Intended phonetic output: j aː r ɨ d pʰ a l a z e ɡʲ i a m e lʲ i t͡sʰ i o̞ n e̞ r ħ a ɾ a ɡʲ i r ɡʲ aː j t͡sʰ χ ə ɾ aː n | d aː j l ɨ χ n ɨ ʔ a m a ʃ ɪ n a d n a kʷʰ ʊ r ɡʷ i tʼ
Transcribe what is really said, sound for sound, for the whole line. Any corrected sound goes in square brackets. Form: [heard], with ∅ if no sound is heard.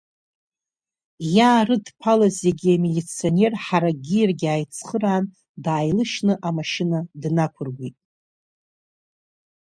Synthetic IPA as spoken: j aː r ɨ d pʰ a l a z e ɡʲ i a m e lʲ i t͡sʰ i o̞ n e̞ r ħ a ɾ a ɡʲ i r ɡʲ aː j t͡sʰ χ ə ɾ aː n | d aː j l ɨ [ʃ] n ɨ ʔ a m a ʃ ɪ n a d n a kʷʰ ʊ r ɡʷ i tʼ